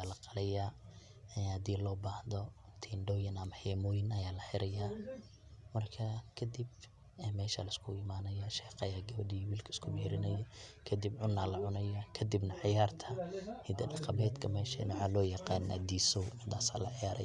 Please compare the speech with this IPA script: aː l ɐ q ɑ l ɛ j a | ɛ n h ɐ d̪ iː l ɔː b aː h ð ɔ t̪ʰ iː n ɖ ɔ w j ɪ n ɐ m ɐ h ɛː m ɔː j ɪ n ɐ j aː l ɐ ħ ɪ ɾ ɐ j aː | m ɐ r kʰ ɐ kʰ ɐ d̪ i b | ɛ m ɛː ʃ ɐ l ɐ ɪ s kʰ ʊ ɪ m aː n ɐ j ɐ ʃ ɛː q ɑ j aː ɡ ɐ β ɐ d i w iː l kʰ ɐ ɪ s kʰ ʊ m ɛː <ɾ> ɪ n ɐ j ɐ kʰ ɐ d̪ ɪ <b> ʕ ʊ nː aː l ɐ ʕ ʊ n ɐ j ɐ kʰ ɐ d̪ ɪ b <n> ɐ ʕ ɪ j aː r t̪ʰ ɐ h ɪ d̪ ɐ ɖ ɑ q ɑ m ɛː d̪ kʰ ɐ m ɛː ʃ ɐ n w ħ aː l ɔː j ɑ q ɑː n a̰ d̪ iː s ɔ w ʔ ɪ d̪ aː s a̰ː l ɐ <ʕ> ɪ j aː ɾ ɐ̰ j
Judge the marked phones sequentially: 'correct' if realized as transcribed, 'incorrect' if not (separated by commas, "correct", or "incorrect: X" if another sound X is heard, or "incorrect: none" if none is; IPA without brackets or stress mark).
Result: correct, correct, correct, correct